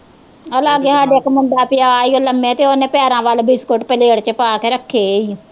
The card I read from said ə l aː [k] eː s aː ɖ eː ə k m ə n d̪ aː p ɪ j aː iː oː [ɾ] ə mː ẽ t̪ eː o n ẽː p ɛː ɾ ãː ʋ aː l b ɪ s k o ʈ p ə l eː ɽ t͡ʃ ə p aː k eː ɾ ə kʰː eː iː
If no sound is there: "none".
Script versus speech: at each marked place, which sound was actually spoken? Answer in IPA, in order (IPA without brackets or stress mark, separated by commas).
ɡ, l